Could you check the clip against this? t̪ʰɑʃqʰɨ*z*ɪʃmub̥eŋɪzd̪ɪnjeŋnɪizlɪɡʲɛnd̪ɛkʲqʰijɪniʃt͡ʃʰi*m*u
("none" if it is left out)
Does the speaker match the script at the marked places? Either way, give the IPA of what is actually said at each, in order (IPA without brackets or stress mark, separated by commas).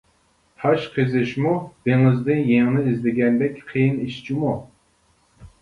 z, m